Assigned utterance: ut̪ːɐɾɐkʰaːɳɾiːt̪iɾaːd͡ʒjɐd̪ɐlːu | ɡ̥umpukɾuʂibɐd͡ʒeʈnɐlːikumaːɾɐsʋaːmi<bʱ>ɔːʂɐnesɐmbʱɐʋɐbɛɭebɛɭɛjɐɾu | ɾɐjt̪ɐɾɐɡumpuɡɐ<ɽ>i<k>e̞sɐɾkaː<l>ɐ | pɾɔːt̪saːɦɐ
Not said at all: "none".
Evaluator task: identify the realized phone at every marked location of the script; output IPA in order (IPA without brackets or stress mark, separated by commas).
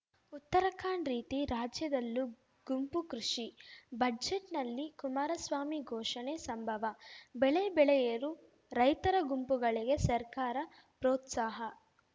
ɡʱ, ɭ, ɡ, ɾ